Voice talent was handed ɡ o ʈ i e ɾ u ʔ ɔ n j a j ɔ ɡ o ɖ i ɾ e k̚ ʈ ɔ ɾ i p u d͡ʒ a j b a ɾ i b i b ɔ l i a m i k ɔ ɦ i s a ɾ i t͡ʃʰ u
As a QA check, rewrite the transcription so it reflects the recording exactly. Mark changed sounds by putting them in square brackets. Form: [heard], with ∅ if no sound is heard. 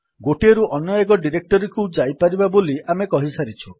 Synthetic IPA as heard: ɡ o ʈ i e ɾ u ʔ ɔ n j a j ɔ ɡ [ɔ] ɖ i ɾ e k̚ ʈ ɔ ɾ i [k] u d͡ʒ a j [p] a ɾ i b [a] b [o] l i a m [e] k ɔ ɦ i s a ɾ i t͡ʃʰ u